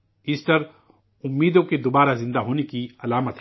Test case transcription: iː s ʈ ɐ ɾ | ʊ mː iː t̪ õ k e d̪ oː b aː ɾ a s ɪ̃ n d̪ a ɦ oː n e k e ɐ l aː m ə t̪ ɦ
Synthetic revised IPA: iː s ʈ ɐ ɾ | ʊ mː iː d̪ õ k e d̪ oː b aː ɾ a z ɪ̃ n d̪ a ɦ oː n e k i ɐ l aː m ə t̪ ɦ